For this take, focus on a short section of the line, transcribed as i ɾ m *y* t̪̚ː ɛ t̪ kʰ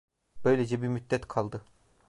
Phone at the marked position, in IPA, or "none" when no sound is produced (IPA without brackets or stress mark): y